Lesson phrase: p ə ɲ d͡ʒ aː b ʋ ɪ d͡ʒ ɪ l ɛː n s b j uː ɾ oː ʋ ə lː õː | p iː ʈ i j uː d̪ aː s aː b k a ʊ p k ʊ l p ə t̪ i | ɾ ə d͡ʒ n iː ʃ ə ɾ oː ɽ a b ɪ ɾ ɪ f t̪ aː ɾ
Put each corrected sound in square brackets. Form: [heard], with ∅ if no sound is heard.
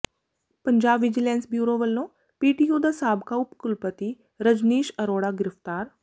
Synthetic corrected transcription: p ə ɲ d͡ʒ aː b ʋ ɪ d͡ʒ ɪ l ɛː n s b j uː ɾ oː ʋ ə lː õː | p iː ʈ i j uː d̪ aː s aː b k a ʊ p k ʊ l p ə t̪ i | ɾ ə d͡ʒ n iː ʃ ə ɾ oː ɽ a [ɡ] ɪ ɾ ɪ f t̪ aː ɾ